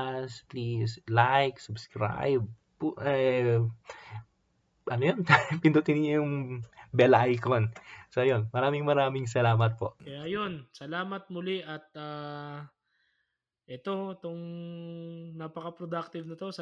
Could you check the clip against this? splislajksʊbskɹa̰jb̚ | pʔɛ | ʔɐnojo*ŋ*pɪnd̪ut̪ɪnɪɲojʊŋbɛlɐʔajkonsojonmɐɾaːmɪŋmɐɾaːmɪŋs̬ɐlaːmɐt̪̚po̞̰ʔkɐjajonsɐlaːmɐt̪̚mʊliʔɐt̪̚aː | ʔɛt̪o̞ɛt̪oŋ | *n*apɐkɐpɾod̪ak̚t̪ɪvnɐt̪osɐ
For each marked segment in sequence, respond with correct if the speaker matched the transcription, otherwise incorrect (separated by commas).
incorrect, correct